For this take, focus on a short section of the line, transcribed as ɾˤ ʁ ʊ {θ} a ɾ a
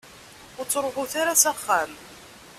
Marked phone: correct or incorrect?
correct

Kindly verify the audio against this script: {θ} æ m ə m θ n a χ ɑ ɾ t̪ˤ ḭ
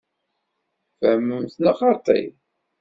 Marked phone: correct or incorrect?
incorrect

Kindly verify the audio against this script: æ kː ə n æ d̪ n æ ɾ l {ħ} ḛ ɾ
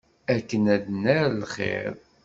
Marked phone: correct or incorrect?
incorrect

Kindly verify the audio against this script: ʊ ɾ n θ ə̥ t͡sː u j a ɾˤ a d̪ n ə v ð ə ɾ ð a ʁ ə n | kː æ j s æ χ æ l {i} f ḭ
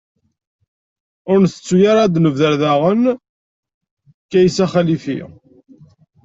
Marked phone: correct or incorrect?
correct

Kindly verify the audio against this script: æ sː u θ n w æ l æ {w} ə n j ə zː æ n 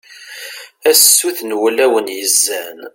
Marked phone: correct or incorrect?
correct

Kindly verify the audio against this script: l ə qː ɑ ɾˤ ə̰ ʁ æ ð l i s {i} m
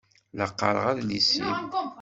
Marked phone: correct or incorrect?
correct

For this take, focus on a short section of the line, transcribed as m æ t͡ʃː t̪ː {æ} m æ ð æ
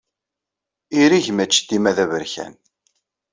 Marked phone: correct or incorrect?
incorrect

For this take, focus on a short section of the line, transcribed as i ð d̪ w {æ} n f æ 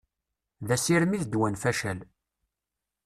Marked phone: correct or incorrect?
correct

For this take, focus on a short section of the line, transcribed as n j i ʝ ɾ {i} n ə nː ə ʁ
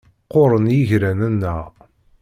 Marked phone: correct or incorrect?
incorrect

